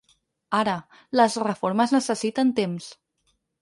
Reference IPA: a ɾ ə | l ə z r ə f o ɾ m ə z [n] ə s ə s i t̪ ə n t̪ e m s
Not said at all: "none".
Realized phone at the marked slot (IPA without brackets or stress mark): n